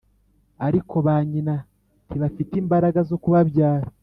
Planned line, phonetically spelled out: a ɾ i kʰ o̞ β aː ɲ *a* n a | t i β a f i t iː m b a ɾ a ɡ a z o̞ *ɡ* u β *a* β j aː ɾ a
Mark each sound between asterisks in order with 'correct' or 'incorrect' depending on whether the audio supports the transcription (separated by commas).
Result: incorrect, incorrect, correct